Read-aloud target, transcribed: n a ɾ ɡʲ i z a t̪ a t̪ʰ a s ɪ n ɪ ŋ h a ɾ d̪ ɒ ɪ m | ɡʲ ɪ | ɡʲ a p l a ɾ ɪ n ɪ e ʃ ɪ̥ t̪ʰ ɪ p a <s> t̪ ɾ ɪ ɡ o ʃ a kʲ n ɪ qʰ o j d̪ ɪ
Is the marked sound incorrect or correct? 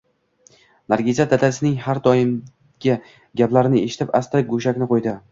correct